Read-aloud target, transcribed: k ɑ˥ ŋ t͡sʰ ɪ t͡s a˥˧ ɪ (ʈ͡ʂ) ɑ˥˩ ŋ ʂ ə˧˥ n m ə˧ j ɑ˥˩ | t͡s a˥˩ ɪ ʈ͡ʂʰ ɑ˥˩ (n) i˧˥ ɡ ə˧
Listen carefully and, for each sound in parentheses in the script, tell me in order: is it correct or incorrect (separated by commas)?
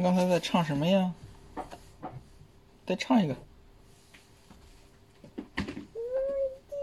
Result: incorrect, incorrect